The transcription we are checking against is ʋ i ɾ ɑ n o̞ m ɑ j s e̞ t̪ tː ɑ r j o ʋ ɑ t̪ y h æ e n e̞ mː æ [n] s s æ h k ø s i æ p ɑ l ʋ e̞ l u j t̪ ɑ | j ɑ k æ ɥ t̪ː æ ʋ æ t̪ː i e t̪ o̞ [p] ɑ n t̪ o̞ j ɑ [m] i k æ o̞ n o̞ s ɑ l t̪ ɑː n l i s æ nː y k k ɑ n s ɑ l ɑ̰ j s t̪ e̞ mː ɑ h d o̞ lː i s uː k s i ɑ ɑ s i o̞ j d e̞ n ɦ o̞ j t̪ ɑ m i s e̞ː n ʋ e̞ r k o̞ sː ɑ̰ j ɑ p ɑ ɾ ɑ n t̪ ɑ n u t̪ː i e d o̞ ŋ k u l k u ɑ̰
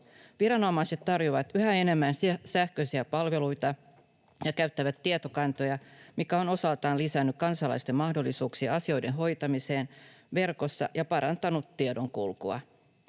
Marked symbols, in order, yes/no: yes, no, yes

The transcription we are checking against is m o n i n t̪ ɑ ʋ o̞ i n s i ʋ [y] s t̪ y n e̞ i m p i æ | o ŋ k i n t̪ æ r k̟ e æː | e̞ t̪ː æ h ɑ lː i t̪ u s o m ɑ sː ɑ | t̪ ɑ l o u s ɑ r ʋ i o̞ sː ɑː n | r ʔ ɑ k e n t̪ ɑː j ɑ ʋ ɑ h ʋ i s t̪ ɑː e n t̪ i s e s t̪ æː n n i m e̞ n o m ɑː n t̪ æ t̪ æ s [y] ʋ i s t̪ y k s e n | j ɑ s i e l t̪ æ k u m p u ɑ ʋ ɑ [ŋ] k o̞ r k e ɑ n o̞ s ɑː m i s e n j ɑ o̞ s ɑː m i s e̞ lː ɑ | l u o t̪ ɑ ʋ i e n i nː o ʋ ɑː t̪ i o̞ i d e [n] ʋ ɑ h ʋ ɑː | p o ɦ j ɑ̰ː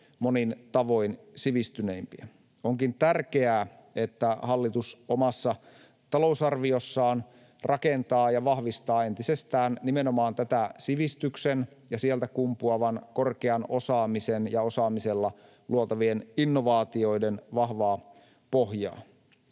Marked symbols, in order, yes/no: no, no, no, yes

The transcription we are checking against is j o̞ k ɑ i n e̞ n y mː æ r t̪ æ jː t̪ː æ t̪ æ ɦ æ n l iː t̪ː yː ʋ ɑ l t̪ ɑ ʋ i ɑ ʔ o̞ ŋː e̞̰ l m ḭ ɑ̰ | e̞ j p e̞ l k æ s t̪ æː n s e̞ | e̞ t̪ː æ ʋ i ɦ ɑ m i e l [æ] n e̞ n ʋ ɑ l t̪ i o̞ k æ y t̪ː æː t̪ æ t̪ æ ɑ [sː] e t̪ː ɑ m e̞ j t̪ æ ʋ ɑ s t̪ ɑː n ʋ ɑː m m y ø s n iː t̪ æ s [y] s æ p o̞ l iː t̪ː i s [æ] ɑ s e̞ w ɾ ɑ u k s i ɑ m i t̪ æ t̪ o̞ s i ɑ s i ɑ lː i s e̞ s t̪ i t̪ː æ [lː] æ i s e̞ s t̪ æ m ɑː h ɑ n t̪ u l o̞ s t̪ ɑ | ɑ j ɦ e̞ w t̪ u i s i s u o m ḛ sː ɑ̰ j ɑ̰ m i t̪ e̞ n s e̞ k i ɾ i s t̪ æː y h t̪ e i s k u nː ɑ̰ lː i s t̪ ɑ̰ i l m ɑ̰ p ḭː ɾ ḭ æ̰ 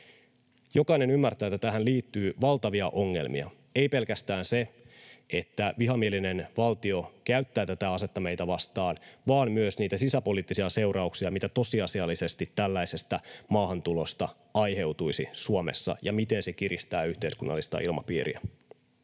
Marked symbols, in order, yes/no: no, no, no, no, yes

